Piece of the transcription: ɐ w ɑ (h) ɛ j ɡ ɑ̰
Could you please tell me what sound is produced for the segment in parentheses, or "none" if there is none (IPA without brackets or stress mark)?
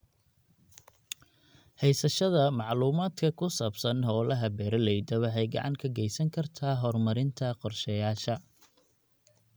ħ